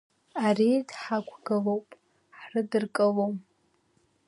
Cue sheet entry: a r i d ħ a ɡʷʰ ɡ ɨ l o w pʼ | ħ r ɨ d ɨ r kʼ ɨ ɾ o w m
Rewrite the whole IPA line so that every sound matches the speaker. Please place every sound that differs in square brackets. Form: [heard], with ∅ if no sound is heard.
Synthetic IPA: a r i d ħ a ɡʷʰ ɡ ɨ l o w pʼ | ħ r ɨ d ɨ r kʼ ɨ [l] o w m